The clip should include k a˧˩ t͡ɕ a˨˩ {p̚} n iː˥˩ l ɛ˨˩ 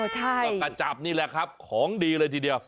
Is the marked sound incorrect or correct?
correct